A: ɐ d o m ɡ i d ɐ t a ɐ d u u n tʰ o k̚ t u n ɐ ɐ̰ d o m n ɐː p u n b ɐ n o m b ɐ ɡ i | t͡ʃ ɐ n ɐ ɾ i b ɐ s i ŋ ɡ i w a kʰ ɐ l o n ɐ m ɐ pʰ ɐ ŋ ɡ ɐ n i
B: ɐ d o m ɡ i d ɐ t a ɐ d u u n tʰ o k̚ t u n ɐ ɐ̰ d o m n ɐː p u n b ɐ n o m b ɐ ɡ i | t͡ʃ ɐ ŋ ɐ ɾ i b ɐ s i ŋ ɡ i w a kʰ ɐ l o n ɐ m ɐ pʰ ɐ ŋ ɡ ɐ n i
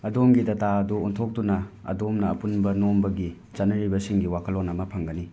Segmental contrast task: A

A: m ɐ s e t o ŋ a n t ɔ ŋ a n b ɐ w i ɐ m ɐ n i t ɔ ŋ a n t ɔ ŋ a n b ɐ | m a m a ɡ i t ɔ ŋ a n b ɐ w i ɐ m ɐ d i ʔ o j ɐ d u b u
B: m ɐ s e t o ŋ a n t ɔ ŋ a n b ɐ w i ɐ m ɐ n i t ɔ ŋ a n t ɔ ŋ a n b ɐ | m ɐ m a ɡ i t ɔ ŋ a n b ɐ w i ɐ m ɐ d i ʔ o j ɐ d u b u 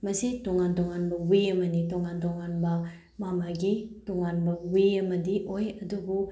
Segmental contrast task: A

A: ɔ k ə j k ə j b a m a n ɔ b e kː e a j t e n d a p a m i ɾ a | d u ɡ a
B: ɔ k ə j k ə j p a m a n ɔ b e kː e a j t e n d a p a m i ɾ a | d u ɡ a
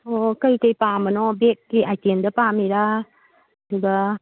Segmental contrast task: B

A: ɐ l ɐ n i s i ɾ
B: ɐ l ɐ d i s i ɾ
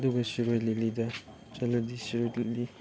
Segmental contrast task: B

